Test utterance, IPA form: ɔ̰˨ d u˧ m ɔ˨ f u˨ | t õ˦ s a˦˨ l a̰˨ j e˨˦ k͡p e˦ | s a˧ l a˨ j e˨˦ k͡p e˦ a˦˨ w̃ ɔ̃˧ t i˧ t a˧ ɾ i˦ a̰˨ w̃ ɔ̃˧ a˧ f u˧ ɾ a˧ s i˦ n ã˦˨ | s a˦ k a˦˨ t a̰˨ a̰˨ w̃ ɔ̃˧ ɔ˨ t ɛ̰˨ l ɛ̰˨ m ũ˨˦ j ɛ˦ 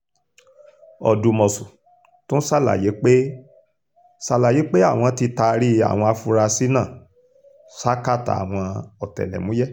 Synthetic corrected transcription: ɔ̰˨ d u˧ m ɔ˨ s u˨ | t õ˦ s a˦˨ l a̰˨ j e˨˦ k͡p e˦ | s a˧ l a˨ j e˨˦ k͡p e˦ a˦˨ w̃ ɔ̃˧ t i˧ t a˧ ɾ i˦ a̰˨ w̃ ɔ̃˧ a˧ f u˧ ɾ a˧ s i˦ n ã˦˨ | s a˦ k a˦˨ t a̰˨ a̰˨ w̃ ɔ̃˧ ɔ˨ t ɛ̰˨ l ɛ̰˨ m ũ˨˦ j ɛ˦